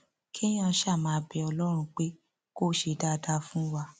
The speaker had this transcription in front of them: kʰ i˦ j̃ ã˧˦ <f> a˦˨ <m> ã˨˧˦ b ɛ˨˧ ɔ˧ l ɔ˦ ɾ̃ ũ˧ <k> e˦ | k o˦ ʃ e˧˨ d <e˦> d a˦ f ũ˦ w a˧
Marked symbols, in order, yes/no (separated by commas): no, yes, no, no